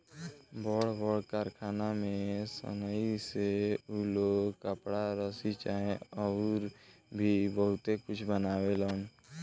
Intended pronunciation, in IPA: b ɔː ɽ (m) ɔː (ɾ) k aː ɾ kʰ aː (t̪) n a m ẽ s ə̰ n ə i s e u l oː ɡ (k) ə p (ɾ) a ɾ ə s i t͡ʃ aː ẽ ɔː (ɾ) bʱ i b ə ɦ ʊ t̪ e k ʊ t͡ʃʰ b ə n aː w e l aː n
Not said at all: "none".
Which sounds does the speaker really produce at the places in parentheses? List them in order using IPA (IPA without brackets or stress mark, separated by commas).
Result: b, ɽ, none, k, ɽ, ɾ